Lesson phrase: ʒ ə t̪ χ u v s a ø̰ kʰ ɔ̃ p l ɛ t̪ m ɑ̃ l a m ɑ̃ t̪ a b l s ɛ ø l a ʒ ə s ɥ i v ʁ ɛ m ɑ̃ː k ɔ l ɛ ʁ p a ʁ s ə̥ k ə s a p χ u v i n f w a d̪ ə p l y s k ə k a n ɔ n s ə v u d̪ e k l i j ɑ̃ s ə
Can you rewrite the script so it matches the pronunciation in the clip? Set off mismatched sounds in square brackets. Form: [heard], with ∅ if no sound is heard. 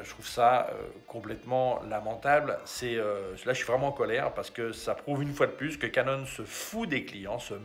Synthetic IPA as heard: ʒ ə t̪ χ u v s a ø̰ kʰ ɔ̃ p l ɛ t̪ m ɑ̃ l a m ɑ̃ t̪ a b l s ɛ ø l a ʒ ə s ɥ i v ʁ ɛ m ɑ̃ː k ɔ l ɛ ʁ p a ʁ s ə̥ k ə s a p χ u v [y] n f w a d̪ ə p l y s k ə k a n ɔ n s ə [f] u d̪ e k l i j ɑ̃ s ə

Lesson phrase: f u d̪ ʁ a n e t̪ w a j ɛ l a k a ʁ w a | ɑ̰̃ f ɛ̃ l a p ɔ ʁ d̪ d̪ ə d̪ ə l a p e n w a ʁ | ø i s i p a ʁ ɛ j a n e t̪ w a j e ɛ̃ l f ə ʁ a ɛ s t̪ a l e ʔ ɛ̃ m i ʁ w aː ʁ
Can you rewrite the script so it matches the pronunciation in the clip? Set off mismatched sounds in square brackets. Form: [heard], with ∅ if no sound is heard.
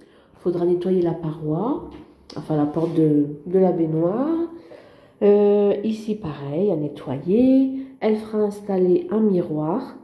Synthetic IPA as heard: f [o] d̪ ʁ a n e t̪ w a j [e] l a [p] a ʁ w a | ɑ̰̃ f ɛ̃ l a p ɔ ʁ [t̪] d̪ ə d̪ ə l a [b] e n w a ʁ | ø i s i p a ʁ ɛ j a n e t̪ w a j e [ɛ] l f ə ʁ a [ɛ̃] s t̪ a l e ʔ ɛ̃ m i ʁ w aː ʁ

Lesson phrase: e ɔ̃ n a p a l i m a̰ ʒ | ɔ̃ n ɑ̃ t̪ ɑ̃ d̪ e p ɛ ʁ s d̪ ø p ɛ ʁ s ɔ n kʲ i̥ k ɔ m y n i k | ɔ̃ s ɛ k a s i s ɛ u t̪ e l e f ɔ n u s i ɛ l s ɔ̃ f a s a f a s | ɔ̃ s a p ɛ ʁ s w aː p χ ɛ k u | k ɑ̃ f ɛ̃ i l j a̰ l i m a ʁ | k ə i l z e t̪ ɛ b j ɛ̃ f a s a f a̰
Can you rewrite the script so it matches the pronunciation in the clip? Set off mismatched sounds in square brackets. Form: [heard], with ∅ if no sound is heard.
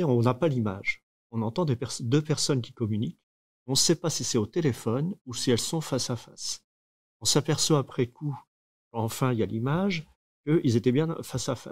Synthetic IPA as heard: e ɔ̃ n a p a l i m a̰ ʒ | ɔ̃ n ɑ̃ t̪ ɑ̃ d̪ e p ɛ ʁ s d̪ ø p ɛ ʁ s ɔ n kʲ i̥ k ɔ m y n i k | ɔ̃ s ɛ [p] a s i s ɛ [o] t̪ e l e f ɔ n u s i ɛ l s ɔ̃ f a s a f a s | ɔ̃ s a p ɛ ʁ s w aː p χ ɛ k u | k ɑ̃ f ɛ̃ i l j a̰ l i m a [ʒ] | k ə i l z e t̪ ɛ b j ɛ̃ f a s a f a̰

